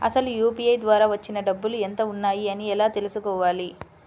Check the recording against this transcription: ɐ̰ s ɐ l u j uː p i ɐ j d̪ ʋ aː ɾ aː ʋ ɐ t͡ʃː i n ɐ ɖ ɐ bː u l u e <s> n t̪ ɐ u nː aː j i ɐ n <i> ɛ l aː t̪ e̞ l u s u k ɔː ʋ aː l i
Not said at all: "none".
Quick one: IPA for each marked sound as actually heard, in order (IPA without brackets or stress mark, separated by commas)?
none, i